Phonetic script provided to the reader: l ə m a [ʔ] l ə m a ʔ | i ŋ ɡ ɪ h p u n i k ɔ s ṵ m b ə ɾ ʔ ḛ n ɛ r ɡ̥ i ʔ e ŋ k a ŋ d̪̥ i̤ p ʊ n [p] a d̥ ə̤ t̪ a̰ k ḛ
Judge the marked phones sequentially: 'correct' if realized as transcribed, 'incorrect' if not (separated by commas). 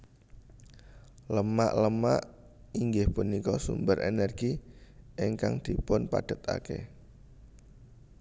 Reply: correct, correct